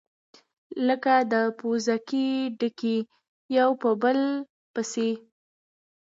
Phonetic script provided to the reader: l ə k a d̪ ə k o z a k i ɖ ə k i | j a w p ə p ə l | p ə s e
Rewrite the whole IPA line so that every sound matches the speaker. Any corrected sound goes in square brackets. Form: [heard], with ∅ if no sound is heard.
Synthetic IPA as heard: l ə k a d̪ ə [p] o z a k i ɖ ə k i | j a w p ə [b] ə l | p ə s e